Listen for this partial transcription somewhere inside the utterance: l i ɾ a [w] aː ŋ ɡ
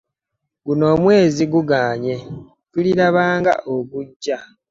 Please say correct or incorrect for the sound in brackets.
incorrect